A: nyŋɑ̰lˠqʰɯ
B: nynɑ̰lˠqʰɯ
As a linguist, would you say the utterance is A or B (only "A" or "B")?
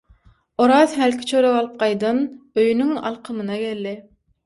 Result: A